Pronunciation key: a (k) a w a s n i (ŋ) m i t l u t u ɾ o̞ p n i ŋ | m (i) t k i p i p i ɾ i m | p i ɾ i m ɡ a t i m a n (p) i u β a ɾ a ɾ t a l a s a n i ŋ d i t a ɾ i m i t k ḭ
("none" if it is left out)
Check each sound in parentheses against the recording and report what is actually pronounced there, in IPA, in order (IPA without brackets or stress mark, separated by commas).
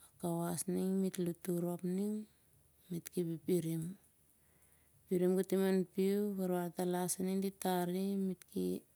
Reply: k, ŋ, i, p